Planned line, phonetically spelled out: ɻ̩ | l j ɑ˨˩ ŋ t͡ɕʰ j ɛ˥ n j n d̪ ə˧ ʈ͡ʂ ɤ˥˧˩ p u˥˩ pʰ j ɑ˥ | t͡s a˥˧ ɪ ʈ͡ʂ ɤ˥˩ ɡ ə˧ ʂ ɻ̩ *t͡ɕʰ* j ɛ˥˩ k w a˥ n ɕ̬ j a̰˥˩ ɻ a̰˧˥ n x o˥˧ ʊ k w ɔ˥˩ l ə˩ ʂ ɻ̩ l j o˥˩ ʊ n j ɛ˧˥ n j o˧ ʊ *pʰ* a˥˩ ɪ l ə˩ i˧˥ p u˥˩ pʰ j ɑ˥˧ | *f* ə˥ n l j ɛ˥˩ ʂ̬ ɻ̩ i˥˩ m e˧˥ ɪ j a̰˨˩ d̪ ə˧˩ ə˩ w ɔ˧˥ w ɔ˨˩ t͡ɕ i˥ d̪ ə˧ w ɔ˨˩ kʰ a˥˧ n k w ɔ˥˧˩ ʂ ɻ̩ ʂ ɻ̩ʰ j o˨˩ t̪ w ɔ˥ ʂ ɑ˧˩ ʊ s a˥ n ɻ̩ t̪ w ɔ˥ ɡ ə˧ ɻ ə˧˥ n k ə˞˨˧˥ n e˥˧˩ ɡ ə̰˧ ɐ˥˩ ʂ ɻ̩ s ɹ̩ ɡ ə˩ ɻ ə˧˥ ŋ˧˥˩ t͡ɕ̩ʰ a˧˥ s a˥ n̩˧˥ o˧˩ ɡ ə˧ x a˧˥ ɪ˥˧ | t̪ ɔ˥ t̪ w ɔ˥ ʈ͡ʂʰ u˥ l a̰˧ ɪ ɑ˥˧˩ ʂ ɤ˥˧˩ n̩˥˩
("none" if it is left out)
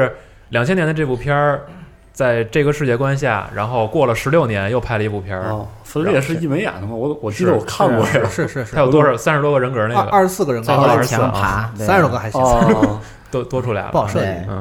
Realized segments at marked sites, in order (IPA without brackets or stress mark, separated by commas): t͡ɕ, pʰ, f